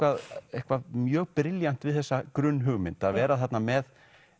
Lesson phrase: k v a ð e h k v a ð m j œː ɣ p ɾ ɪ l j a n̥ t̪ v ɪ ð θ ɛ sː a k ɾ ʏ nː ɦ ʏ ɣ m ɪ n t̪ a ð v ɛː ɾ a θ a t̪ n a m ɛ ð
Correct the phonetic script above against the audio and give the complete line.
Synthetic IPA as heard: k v a ð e h k v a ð m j œː ɣ p ɾ ɪ l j a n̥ t̪ v ɪ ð θ ɛ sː a k ɾ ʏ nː ɦ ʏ ɣ m ɪ n t̪ a ð v ɛː ɾ a θ a t̪ n a m ɛ ð